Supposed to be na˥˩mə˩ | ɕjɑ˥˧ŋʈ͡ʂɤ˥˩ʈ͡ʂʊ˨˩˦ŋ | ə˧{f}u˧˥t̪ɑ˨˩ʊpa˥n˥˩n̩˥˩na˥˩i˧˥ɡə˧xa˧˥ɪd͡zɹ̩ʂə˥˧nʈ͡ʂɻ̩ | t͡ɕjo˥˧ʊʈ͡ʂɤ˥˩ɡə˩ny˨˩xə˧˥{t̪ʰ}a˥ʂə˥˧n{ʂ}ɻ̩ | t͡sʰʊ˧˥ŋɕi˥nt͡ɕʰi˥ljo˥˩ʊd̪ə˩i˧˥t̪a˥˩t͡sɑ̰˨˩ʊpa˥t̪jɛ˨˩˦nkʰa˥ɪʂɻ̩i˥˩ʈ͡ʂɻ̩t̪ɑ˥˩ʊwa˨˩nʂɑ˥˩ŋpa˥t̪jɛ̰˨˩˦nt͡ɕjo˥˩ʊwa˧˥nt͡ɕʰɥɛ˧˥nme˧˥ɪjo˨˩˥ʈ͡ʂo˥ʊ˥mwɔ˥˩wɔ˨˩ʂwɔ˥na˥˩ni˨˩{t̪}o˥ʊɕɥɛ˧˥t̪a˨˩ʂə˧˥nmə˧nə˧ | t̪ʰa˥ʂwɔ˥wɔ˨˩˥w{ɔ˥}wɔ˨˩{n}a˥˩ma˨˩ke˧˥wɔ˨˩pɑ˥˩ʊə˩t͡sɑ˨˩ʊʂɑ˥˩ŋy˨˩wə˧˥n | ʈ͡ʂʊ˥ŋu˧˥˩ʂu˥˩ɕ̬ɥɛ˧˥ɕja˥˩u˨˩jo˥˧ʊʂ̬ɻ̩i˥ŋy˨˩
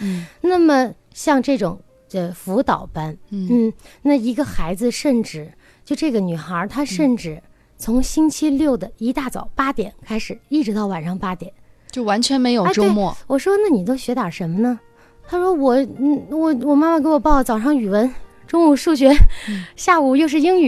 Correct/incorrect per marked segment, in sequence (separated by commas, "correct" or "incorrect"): correct, correct, incorrect, correct, incorrect, incorrect